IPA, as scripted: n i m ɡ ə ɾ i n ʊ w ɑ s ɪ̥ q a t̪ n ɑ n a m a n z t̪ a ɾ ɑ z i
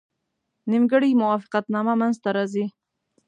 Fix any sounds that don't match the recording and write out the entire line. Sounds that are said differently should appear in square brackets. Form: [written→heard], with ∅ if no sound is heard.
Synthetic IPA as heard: n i m ɡ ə [ɾ→ɽ] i [n→m] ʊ w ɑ [s→f] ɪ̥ q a t̪ n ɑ [n→m] a m a n z t̪ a ɾ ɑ z i